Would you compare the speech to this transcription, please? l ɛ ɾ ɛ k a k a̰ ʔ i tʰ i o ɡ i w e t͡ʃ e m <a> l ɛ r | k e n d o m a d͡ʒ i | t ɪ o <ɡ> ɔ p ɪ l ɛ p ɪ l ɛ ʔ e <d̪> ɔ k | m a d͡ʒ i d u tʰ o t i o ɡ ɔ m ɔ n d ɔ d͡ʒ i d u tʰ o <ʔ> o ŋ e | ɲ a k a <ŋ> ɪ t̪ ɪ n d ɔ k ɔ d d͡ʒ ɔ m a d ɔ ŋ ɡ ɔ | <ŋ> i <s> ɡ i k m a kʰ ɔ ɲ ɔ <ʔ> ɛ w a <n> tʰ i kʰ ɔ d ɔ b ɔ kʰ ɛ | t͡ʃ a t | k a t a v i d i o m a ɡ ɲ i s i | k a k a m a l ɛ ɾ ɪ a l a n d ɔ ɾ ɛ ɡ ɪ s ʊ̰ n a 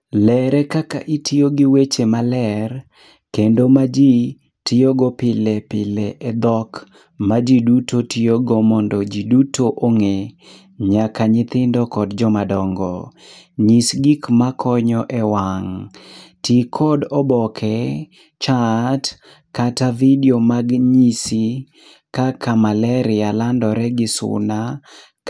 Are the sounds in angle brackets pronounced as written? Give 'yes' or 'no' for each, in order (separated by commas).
yes, yes, yes, yes, no, no, yes, yes, no